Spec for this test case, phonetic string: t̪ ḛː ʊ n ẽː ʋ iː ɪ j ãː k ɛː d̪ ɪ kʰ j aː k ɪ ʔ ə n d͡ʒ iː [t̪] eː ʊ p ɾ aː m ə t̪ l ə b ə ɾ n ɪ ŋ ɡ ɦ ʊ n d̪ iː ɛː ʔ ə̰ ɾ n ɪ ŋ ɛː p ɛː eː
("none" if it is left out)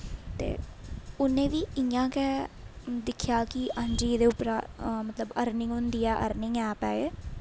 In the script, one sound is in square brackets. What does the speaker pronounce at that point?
d̪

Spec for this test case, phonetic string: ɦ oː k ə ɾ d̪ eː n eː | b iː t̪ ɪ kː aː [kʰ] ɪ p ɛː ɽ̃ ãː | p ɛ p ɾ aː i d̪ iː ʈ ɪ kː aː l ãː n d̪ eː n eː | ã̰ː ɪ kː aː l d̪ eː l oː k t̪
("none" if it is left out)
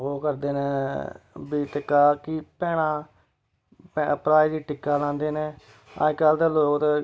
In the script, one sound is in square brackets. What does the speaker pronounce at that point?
k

